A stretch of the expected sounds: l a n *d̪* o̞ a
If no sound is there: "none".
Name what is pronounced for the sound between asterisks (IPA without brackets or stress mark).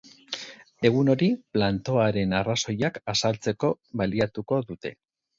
t̪